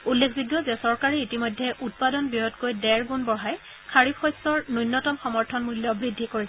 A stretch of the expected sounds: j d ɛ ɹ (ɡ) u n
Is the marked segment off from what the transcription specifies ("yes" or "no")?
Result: no